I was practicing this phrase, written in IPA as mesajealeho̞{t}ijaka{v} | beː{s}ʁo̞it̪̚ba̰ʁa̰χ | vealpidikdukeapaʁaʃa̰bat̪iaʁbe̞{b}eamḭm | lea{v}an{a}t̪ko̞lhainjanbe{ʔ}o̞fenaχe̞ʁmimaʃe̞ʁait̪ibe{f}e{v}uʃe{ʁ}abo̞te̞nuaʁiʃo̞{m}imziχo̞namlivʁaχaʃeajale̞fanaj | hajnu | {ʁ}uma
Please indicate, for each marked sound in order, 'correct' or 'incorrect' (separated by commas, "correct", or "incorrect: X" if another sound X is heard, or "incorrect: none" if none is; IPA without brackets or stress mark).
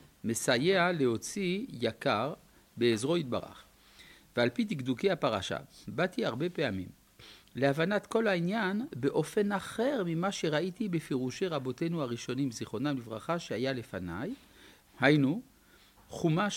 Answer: incorrect: t͡s, incorrect: ʁ, incorrect: z, incorrect: p, correct, correct, correct, correct, incorrect: ʁ, correct, incorrect: n, incorrect: χ